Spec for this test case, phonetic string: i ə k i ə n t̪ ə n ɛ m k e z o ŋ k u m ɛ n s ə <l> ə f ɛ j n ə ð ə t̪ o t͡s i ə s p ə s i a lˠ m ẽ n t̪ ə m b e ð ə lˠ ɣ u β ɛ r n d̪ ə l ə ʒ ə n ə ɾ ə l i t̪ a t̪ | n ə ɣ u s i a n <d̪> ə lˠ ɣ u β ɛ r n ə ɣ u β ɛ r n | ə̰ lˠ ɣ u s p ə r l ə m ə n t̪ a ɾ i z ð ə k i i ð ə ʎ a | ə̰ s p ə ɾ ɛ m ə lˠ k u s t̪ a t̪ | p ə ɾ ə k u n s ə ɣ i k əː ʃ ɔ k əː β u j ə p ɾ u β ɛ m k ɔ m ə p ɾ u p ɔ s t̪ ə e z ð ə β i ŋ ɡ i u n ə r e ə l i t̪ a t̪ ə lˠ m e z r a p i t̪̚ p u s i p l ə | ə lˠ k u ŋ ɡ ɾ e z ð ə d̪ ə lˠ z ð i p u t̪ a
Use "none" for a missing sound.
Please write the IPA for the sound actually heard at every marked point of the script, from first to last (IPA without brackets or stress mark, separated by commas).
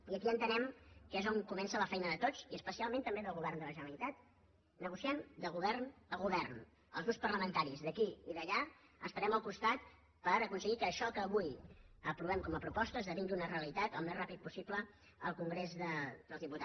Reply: l, d̪